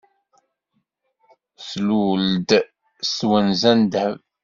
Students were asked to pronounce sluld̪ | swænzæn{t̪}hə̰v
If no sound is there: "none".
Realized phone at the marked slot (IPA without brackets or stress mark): d̪